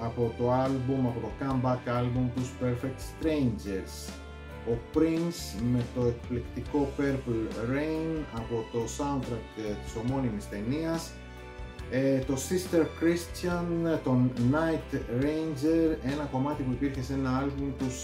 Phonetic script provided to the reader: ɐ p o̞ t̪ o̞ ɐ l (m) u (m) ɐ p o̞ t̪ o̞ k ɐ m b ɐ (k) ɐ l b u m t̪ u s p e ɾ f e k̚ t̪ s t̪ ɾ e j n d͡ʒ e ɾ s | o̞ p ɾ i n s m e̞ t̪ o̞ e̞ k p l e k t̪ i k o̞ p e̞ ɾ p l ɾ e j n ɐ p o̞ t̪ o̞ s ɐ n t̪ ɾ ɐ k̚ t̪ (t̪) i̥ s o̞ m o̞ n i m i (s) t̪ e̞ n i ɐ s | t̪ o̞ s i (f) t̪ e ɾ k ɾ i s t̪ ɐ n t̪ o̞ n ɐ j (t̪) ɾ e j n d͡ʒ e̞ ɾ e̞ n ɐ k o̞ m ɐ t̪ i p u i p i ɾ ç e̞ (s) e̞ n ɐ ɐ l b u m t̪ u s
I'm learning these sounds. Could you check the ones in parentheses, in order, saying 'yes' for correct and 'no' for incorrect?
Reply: no, yes, yes, yes, yes, no, yes, yes

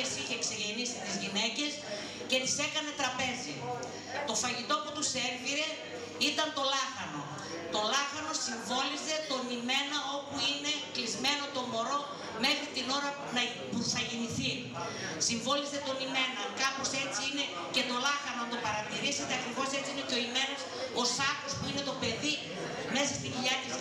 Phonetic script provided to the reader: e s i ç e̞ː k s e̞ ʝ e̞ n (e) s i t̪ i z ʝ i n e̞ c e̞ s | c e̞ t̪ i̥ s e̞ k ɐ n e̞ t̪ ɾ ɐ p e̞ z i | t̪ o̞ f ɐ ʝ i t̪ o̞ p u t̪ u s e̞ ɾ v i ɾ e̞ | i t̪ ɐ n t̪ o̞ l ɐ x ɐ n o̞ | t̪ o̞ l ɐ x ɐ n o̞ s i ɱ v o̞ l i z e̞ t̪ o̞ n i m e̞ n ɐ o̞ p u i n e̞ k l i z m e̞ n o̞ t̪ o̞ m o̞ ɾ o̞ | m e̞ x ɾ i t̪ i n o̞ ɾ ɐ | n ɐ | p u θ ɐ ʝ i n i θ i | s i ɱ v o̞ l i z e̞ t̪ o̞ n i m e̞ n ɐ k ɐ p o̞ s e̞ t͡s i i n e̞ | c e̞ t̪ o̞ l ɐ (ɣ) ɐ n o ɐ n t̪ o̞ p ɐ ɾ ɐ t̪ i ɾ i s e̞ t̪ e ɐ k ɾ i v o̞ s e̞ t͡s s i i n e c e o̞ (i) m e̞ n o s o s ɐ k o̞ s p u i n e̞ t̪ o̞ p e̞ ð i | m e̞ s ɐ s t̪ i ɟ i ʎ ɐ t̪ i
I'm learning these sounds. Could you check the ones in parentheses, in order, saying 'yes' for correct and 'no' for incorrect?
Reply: no, no, yes

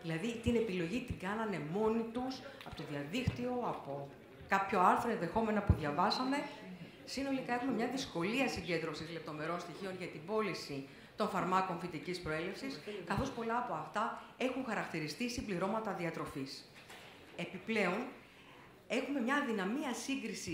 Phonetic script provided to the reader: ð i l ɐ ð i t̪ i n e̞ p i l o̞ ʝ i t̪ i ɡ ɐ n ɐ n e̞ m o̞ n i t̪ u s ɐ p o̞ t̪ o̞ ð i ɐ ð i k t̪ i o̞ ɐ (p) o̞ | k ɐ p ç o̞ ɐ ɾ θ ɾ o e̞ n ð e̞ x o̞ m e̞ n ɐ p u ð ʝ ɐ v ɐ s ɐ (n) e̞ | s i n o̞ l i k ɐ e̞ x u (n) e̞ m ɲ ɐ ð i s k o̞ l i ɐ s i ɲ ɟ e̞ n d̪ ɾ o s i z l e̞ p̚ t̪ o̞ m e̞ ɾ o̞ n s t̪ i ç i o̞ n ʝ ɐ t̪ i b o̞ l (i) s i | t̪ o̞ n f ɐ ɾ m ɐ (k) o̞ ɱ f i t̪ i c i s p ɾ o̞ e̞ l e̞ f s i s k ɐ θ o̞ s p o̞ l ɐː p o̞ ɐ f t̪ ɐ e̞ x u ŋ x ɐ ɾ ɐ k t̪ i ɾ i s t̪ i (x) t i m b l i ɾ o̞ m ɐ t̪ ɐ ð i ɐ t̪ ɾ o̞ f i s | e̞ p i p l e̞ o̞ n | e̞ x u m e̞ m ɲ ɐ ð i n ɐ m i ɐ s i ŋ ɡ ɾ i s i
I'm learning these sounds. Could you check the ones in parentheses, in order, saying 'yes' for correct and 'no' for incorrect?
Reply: yes, no, no, yes, yes, no

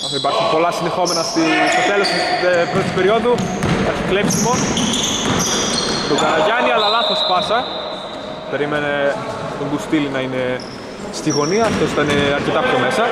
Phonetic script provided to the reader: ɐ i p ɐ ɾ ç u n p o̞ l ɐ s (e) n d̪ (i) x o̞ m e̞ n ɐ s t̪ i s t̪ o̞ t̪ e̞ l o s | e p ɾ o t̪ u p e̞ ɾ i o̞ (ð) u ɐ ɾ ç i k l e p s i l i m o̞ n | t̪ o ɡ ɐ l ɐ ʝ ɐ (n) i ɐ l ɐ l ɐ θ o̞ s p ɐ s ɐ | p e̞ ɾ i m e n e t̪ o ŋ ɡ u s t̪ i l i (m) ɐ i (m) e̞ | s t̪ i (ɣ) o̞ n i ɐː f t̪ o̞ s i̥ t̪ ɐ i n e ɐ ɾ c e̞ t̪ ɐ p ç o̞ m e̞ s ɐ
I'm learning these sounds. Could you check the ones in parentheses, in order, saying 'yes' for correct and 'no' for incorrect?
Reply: no, no, yes, yes, no, no, yes

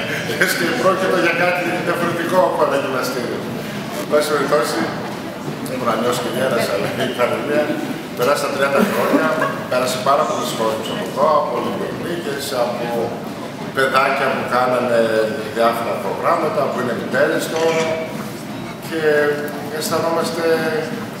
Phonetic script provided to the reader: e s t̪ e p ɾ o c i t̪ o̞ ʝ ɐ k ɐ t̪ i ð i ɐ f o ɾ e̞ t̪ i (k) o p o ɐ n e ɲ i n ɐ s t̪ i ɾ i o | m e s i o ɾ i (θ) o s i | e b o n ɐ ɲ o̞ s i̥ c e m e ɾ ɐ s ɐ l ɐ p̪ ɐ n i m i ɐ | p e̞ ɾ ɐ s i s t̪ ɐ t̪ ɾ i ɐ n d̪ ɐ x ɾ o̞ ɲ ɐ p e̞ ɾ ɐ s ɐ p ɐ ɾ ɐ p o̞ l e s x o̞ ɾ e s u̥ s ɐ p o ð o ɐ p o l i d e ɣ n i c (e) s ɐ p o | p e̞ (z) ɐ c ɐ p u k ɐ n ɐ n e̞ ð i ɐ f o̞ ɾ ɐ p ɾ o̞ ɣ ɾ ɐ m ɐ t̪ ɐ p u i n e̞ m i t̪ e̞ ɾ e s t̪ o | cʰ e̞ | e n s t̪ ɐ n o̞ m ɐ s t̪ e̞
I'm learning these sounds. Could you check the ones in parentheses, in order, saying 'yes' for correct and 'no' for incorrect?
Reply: yes, yes, yes, no

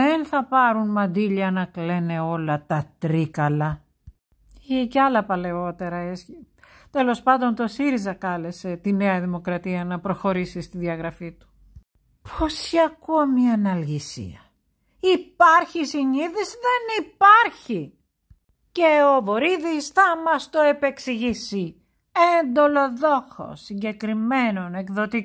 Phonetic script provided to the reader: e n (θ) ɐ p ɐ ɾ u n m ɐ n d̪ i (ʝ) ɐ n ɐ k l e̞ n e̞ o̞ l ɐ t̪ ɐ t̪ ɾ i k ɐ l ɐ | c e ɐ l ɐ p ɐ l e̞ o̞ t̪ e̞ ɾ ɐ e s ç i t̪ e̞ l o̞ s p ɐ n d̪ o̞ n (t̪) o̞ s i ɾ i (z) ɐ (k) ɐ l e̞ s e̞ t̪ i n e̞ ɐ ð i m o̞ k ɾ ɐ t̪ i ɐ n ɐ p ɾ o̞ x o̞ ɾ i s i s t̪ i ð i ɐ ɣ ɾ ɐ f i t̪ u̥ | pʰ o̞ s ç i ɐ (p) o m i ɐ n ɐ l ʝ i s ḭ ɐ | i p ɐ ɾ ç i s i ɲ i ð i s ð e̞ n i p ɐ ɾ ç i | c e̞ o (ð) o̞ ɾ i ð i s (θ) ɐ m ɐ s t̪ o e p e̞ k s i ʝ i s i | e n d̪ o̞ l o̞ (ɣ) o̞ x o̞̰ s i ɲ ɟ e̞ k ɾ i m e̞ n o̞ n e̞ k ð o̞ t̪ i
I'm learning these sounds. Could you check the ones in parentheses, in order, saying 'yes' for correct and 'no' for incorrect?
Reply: yes, no, yes, yes, yes, no, no, yes, no

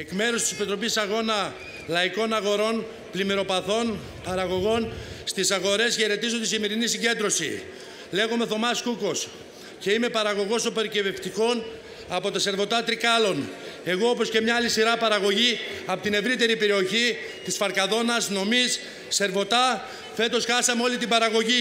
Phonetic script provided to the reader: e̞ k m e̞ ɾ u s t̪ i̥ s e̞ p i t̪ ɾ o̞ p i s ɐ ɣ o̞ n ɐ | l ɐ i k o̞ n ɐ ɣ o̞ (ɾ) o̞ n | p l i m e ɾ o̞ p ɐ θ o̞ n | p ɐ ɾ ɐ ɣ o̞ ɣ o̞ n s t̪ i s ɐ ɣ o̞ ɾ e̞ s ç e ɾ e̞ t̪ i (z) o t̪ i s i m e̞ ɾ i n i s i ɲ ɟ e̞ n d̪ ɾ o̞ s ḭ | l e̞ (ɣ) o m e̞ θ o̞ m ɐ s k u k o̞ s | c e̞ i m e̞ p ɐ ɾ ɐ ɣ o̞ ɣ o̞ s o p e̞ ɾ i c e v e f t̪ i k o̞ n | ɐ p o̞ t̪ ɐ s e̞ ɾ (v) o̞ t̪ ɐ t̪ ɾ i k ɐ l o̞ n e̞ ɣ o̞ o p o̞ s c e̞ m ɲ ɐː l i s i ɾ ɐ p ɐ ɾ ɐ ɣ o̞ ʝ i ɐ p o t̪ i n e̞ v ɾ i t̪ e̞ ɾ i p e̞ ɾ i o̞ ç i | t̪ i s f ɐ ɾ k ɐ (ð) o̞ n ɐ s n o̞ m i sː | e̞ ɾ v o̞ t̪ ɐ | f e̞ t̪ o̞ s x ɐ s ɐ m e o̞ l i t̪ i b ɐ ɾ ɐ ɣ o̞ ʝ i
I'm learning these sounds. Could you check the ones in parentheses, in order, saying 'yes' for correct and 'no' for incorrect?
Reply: yes, yes, yes, yes, yes

